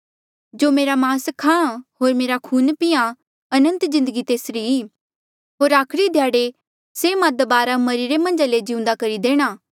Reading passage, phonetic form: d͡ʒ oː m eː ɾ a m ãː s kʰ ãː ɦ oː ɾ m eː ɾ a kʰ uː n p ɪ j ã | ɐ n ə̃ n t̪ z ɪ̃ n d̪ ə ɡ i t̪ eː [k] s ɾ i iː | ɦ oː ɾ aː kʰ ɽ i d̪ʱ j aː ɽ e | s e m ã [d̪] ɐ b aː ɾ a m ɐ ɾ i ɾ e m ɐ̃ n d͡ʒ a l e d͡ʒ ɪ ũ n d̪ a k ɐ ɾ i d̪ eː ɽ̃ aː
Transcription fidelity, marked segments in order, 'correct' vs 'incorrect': incorrect, correct

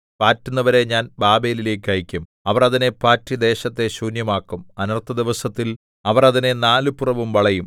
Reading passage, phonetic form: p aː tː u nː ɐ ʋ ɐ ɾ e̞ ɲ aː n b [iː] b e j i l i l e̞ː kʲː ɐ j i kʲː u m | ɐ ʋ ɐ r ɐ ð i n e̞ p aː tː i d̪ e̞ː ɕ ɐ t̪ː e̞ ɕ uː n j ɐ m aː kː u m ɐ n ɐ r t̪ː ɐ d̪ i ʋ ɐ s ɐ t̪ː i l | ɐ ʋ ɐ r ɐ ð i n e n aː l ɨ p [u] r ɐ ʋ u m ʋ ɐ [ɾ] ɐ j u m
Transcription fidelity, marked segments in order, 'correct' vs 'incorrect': incorrect, correct, incorrect

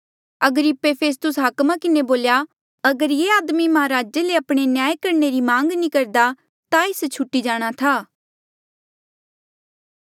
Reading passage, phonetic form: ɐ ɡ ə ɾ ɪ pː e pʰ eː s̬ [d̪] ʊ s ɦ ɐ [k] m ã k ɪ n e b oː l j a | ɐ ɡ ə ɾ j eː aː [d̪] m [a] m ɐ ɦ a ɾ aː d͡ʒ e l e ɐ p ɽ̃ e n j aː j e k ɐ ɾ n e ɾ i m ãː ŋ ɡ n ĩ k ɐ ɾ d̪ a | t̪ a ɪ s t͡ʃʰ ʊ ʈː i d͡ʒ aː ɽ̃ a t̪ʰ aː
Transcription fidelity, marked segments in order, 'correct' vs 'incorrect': incorrect, correct, correct, incorrect

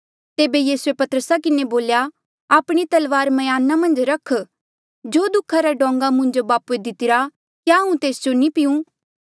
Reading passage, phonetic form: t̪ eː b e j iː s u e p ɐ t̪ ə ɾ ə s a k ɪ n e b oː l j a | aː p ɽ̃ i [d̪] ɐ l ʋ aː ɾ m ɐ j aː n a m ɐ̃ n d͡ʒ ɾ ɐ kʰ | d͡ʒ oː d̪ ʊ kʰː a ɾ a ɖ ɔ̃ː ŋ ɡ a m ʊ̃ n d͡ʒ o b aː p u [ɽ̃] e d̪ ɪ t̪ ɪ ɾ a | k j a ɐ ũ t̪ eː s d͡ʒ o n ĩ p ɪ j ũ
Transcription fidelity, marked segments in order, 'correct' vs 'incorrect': incorrect, incorrect

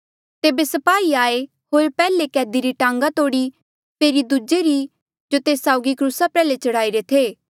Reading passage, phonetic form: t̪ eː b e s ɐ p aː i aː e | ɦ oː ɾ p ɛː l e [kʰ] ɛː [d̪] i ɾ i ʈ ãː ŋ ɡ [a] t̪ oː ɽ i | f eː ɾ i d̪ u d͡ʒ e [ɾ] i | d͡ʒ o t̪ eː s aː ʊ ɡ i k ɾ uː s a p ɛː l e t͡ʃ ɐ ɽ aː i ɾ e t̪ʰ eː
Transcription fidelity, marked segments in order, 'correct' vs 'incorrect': incorrect, correct, correct, correct

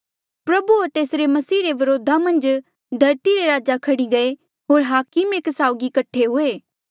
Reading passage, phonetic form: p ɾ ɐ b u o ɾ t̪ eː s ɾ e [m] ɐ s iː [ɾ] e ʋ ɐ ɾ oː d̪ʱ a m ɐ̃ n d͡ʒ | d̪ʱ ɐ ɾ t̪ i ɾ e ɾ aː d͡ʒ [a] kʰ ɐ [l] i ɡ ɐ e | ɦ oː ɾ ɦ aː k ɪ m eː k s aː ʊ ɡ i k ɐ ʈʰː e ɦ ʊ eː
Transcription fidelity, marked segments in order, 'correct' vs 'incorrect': correct, correct, correct, incorrect

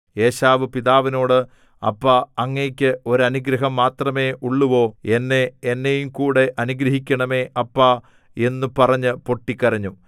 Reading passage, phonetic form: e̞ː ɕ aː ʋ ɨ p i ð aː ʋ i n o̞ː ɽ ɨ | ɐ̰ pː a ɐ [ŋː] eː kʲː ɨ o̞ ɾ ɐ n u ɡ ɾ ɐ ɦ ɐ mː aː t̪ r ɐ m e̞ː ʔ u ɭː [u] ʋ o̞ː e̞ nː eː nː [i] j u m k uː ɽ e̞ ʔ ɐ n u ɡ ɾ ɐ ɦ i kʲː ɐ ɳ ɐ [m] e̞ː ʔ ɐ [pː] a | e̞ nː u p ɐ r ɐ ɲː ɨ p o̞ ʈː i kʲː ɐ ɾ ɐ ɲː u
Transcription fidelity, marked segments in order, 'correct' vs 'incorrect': correct, correct, incorrect, correct, correct

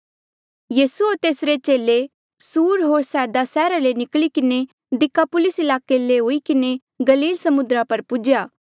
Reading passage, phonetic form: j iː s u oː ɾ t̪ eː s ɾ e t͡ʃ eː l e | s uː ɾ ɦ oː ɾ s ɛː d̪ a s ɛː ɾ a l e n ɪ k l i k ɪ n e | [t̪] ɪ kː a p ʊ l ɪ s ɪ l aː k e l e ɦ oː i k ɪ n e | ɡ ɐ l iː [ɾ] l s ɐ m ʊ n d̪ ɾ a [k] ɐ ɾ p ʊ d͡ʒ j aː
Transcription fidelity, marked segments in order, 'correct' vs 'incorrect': incorrect, incorrect, incorrect

